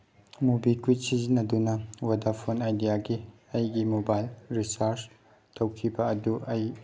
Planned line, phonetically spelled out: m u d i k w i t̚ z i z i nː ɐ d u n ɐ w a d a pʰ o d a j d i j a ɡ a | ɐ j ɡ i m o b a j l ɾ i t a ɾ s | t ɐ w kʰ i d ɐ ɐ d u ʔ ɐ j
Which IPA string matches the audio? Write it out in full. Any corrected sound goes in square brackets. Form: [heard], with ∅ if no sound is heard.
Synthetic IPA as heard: m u [b] i k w i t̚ [s] i z i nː ɐ d u n ɐ w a d a pʰ o [n] a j d i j a ɡ [i] | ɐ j ɡ i m o b a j l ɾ i [s] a ɾ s | t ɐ w kʰ i [b] ɐ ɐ d u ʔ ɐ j